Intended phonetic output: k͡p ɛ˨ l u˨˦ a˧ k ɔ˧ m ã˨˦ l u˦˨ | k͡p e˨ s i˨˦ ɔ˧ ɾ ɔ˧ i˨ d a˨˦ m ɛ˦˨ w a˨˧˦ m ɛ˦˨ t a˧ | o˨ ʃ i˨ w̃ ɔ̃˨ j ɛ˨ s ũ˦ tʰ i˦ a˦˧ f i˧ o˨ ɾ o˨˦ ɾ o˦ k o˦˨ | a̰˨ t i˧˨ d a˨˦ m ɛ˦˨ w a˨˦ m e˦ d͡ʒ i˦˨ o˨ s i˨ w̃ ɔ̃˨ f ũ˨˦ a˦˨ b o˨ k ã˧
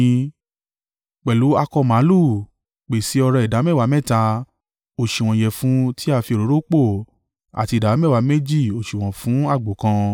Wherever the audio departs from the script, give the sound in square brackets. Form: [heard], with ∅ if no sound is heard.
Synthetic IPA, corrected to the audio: k͡p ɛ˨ l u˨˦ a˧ k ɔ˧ m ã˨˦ l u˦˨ | k͡p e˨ s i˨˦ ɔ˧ ɾ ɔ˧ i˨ d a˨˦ m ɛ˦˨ w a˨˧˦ m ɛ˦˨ t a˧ | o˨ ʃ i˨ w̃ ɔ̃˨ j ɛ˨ [f] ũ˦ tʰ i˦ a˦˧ f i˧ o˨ ɾ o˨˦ ɾ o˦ [k͡p] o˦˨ | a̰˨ t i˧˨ d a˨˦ m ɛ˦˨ w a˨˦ m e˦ d͡ʒ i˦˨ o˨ [ʃ] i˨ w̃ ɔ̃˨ f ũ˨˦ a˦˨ [ɡ͡b] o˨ k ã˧